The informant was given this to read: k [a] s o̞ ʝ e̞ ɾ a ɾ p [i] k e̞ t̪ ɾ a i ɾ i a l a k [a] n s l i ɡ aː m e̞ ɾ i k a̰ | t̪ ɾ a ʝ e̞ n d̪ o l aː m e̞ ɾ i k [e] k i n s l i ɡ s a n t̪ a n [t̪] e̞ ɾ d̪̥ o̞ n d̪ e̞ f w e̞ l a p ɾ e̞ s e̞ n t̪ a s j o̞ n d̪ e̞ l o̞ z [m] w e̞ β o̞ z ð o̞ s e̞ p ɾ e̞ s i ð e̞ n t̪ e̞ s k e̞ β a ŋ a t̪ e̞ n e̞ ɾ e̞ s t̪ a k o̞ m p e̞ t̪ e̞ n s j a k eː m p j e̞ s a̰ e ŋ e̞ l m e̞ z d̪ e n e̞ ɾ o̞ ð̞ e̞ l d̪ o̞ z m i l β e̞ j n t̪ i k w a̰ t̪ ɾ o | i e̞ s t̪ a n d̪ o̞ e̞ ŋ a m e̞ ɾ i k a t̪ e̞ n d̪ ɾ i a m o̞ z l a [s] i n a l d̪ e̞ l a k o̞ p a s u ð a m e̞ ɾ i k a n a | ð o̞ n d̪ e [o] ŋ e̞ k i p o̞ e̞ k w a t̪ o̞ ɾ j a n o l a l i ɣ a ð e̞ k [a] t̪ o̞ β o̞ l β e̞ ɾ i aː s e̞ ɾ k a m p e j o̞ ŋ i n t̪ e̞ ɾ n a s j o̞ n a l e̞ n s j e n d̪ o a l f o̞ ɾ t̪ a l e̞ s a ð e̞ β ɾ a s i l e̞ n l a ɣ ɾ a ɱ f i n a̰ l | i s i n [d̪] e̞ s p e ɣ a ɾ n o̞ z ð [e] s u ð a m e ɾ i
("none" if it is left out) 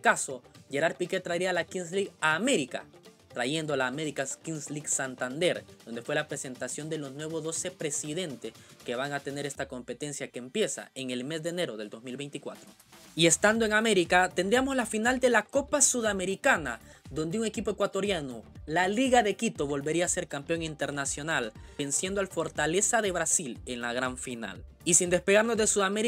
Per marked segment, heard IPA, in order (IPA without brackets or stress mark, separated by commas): a, i, i, a, d̪, n, f, u, i, d̪, e